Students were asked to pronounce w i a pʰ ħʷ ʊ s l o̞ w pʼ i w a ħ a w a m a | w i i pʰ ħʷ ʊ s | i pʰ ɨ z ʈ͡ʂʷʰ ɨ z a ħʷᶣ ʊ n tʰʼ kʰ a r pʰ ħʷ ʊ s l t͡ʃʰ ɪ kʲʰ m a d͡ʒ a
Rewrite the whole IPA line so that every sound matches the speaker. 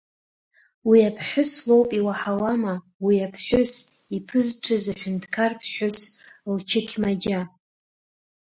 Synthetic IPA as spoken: w i a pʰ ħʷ ʊ s l o̞ w pʼ i w a ħ a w a m a | w i a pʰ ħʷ ʊ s | i pʰ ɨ z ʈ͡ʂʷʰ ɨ z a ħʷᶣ ʊ n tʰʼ kʰ a r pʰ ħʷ ʊ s l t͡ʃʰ ɪ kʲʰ m a d͡ʒ a